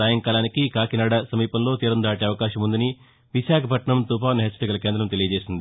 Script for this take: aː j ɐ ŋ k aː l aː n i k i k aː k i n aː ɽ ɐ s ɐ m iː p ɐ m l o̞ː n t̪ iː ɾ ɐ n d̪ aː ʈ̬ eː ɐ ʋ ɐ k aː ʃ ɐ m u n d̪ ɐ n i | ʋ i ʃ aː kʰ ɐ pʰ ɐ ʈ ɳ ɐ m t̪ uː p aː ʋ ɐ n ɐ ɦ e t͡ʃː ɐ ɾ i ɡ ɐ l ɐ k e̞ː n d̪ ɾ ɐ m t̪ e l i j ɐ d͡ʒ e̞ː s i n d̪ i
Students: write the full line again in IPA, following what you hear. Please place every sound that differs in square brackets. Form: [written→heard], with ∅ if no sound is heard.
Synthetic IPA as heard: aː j ɐ ŋ k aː l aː n i k i k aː k i n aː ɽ ɐ s ɐ m iː p ɐ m l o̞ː [n→∅] t̪ iː ɾ ɐ n d̪ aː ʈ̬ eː ɐ ʋ ɐ k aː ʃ ɐ m u n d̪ ɐ n i | ʋ i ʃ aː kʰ ɐ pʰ ɐ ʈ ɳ ɐ m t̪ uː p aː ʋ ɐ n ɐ ɦ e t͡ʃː ɐ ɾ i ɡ ɐ l ɐ k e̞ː n d̪ ɾ ɐ m t̪ e l i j ɐ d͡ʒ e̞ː s i n d̪ i

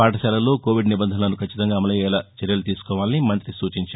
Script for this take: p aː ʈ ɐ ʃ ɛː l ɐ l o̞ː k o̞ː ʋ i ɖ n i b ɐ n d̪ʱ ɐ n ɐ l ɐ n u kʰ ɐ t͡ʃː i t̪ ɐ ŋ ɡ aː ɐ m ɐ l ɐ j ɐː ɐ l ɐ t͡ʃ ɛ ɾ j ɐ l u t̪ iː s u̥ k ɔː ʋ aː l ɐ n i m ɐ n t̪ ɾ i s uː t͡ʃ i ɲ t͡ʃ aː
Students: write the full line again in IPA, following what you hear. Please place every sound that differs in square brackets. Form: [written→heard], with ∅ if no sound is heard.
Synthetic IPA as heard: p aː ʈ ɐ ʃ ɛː l ɐ l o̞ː k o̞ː ʋ i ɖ n i b ɐ n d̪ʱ ɐ n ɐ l ɐ n u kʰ ɐ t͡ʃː i t̪ ɐ ŋ ɡ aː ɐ m ɐ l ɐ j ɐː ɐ l ɐ t͡ʃ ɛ ɾ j ɐ l u t̪ iː s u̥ k ɔː ʋ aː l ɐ n i m ɐ n t̪ ɾ i s uː t͡ʃ i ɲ t͡ʃ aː

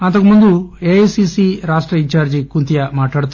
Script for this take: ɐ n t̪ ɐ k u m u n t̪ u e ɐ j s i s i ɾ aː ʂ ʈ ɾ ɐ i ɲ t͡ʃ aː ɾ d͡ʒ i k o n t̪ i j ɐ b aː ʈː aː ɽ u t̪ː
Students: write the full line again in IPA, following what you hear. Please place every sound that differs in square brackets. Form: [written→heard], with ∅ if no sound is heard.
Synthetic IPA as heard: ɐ n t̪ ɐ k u m u n [t̪→d̪] u e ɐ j s i s i ɾ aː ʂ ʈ ɾ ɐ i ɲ t͡ʃ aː ɾ d͡ʒ i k [o→u] n t̪ i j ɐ [b→m] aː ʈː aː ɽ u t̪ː

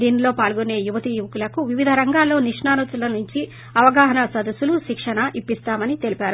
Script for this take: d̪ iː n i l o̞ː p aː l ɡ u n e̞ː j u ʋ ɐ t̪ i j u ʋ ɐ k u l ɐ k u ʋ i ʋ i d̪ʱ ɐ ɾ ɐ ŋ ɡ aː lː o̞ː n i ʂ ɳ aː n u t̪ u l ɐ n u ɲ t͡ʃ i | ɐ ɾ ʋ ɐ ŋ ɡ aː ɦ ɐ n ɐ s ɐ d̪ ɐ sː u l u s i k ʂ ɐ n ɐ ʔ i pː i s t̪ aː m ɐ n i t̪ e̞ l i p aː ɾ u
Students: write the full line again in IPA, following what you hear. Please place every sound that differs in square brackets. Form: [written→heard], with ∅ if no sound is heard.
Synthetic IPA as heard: d̪ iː n i l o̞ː p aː l ɡ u n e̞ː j u ʋ ɐ t̪ i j u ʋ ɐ k u l ɐ k u ʋ i ʋ i d̪ʱ ɐ ɾ ɐ ŋ ɡ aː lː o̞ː n i ʂ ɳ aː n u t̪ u l ɐ n u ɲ t͡ʃ i | ɐ [ɾ→∅] ʋ ɐ [ŋ→∅] ɡ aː ɦ ɐ n ɐ s ɐ d̪ ɐ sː u l u [s→ʃ] i k ʂ ɐ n ɐ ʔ i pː i s t̪ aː m ɐ n i t̪ e̞ l i p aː ɾ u

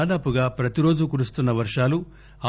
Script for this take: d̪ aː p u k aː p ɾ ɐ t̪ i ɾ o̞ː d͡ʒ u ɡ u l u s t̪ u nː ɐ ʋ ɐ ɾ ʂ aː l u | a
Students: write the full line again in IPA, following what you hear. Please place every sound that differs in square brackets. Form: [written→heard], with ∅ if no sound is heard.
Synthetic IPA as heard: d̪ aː p u [k→ɡ] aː p ɾ ɐ t̪ i ɾ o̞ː d͡ʒ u [ɡ→k] u [l→ɾ] u s t̪ u nː ɐ ʋ ɐ ɾ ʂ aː l u | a

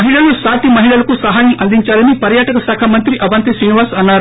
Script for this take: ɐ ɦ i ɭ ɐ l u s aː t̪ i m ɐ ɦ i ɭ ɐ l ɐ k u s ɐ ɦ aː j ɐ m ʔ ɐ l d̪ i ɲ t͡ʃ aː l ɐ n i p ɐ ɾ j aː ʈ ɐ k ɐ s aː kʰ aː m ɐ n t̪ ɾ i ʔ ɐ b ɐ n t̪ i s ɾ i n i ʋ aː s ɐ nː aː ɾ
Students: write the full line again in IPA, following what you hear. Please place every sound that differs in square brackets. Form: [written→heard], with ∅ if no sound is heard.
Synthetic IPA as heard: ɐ ɦ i ɭ ɐ l u s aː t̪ i m ɐ ɦ i ɭ ɐ l ɐ k u s ɐ ɦ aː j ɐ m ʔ ɐ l d̪ i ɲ t͡ʃ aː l ɐ n i p ɐ ɾ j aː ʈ ɐ k ɐ s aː kʰ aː m ɐ n t̪ ɾ i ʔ ɐ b ɐ n t̪ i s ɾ i n i ʋ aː s ɐ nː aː ɾ

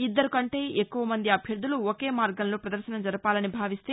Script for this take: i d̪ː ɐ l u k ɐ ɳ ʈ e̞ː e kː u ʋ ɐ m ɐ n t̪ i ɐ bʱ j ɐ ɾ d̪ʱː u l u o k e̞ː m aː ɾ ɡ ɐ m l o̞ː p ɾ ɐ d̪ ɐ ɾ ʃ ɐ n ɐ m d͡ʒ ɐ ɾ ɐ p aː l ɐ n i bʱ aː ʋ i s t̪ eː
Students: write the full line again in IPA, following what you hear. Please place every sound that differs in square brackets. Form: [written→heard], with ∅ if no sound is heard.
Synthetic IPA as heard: i d̪ː ɐ [l→ɾ] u k ɐ ɳ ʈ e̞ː e kː u ʋ ɐ m ɐ n [t̪→d̪] i ɐ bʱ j ɐ ɾ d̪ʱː u l u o k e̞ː m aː ɾ ɡ ɐ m l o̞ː p ɾ ɐ d̪ ɐ ɾ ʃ ɐ n ɐ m d͡ʒ ɐ ɾ ɐ p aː l ɐ n i bʱ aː ʋ i s t̪ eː

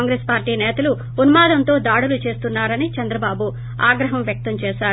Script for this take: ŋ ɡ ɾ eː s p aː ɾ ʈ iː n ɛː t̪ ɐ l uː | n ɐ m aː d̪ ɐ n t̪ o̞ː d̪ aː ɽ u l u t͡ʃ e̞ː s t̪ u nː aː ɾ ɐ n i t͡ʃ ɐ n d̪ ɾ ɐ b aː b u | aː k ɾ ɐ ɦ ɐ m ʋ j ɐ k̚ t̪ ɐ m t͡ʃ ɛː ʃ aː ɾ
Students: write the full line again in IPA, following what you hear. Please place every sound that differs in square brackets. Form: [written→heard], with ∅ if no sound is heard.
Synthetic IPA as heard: ŋ ɡ ɾ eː s p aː ɾ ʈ iː n ɛː t̪ ɐ l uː | n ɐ m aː d̪ ɐ n t̪ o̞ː d̪ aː ɽ u l u t͡ʃ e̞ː s t̪ u nː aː ɾ ɐ n i t͡ʃ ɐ n d̪ ɾ ɐ b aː b u | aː [k→ɡ] ɾ ɐ ɦ ɐ m ʋ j ɐ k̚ t̪ ɐ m t͡ʃ ɛː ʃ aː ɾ

